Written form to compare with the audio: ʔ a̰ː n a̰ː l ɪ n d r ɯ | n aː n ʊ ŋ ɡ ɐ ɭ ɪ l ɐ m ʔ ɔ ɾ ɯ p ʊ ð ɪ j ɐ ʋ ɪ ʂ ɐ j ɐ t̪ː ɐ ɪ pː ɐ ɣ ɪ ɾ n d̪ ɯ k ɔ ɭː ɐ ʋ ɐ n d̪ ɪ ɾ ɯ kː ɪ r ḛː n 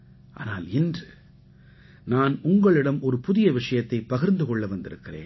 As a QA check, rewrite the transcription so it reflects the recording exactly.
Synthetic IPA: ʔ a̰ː n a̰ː l ɪ n d r ɯ | n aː n ʊ ŋ ɡ ɐ ɭ ɪ ɽ ɐ m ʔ ɔ ɾ ɯ p ʊ ð ɪ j ɐ ʋ ɪ ʂ ɐ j ɐ t̪ː ɐ ɪ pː ɐ ɣ ɪ ɾ n d̪ ɯ k ɔ ɭː ɐ ʋ ɐ n d̪ ɪ ɾ ɯ kː ɪ r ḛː n